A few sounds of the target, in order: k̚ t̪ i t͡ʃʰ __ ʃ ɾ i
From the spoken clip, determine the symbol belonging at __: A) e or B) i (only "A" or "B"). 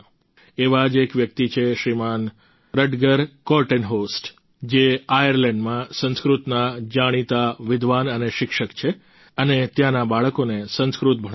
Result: A